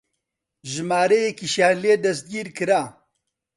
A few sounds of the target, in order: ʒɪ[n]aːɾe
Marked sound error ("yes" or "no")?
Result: yes